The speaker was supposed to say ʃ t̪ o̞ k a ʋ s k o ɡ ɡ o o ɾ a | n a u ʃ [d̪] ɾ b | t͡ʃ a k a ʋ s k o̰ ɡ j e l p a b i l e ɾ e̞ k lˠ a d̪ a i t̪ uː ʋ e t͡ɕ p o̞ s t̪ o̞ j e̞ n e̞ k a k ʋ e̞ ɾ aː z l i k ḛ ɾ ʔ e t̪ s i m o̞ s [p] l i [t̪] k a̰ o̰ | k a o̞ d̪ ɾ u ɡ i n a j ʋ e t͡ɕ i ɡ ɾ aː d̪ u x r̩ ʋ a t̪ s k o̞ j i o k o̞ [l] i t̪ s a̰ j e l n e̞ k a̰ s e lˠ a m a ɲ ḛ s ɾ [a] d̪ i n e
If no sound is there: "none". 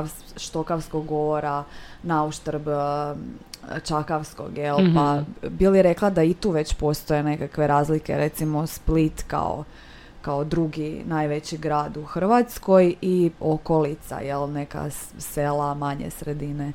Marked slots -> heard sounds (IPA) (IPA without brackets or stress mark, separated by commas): t̪, p, t̪, l, e